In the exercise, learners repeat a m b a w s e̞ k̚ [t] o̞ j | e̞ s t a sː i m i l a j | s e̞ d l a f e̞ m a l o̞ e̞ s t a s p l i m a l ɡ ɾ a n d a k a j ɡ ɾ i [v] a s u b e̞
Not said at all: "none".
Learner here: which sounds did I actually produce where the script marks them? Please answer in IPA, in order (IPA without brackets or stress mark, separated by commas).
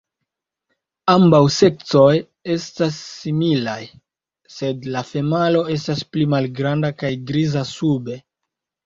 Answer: t͡s, z